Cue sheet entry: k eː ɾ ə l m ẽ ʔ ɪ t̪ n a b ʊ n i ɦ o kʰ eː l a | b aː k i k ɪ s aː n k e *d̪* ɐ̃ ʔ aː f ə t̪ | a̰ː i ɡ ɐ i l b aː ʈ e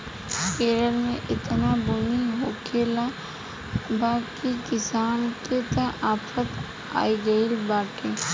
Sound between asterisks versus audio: incorrect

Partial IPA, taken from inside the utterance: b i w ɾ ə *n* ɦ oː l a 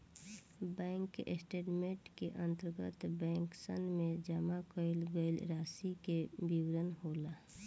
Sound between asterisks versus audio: correct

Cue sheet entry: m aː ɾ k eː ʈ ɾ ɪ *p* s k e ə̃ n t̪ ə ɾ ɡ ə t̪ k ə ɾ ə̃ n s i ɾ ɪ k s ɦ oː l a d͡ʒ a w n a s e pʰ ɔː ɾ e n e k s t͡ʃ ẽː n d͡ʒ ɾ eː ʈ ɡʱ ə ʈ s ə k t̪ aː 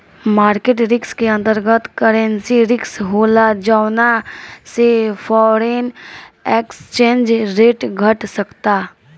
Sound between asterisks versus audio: incorrect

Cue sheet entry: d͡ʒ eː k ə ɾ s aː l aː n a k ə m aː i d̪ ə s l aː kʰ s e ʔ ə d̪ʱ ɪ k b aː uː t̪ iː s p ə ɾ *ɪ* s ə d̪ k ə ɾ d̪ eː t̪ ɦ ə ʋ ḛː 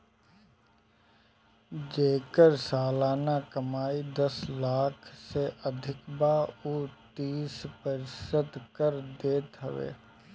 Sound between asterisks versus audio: correct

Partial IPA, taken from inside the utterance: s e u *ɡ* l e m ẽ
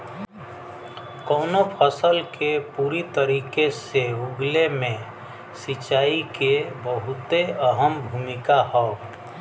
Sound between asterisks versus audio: correct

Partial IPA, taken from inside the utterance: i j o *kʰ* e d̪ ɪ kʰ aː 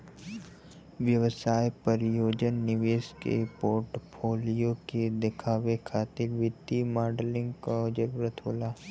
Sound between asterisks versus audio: incorrect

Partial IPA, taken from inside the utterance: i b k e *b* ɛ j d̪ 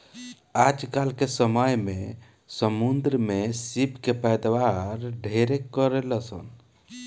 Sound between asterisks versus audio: incorrect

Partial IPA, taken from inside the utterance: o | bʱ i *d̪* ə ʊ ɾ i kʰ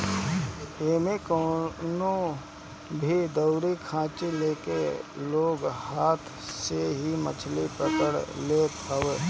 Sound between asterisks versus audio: correct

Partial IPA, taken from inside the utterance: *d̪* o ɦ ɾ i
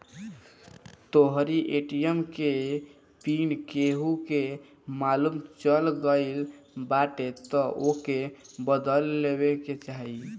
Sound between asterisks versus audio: incorrect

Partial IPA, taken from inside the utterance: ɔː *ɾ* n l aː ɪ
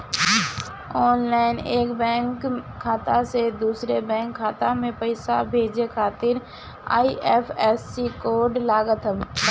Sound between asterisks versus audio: incorrect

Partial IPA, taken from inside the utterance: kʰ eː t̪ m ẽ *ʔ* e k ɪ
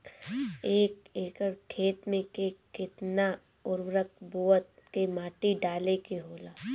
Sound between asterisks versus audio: incorrect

